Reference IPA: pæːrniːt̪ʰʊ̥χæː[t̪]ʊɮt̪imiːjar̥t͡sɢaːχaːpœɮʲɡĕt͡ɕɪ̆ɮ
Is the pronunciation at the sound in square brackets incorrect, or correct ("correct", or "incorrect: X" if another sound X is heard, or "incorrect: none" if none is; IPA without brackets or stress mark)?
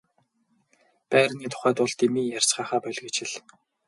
correct